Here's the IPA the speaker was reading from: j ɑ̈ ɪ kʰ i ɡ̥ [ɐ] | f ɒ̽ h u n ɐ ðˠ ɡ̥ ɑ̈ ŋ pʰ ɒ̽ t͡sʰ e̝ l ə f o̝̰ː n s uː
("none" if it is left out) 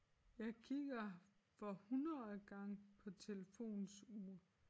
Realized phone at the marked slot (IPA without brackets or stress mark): ɐ